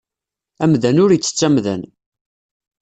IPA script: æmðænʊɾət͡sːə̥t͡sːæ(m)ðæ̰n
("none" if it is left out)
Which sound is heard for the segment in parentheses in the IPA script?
m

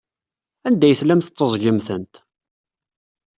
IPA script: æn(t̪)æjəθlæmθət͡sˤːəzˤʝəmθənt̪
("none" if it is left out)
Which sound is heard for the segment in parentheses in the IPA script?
d̪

